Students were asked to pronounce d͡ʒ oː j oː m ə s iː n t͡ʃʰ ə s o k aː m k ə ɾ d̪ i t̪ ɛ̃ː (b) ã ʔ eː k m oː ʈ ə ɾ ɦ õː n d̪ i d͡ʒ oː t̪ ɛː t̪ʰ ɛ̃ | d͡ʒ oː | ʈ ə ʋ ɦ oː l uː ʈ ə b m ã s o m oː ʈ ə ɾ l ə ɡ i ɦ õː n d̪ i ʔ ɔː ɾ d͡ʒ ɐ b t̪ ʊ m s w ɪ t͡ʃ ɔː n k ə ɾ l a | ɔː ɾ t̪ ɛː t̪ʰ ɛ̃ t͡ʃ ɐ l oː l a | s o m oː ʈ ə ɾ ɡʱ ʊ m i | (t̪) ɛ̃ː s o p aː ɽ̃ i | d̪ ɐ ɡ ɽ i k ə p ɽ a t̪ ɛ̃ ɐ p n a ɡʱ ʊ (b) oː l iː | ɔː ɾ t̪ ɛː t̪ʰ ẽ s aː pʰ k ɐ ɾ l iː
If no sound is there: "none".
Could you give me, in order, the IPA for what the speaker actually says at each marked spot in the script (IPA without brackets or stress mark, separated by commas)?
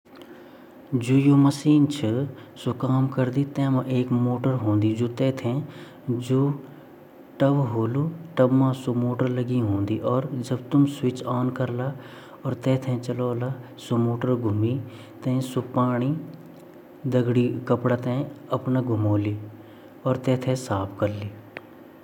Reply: m, t̪, m